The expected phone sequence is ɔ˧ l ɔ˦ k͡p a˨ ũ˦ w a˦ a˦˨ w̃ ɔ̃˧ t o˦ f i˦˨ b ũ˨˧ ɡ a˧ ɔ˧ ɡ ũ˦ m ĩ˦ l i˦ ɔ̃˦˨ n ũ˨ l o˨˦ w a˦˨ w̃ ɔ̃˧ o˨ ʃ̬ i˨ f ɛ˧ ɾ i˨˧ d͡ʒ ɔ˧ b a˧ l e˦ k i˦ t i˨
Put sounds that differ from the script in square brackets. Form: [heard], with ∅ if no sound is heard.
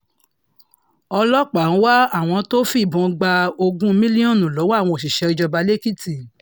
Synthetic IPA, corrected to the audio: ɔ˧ l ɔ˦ k͡p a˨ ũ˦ w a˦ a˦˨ w̃ ɔ̃˧ t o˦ f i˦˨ b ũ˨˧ [ɡ͡b] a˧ [o˧] ɡ ũ˦ m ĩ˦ l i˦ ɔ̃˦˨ n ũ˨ l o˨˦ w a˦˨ w̃ ɔ̃˧ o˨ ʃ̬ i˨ [ʃ] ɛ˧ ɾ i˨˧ d͡ʒ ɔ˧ b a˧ l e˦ k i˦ t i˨